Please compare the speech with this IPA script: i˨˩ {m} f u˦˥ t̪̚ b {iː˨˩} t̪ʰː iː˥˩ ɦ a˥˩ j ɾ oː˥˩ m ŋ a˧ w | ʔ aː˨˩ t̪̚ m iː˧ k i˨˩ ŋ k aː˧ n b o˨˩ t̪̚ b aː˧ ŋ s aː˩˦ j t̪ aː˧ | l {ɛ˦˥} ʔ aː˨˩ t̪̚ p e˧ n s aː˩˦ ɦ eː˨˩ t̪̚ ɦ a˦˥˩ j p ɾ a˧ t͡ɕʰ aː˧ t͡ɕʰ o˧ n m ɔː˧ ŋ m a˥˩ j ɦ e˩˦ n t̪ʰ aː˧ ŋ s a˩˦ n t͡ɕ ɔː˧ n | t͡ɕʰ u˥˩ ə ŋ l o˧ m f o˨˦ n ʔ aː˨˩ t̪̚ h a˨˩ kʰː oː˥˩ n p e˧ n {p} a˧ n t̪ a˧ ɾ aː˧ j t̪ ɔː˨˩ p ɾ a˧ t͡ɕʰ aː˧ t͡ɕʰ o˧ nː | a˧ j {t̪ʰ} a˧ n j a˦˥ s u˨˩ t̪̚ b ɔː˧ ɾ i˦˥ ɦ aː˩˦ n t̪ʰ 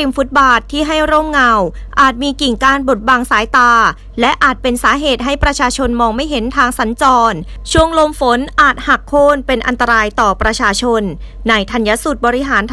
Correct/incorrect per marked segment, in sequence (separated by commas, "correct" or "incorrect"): correct, incorrect, correct, incorrect, correct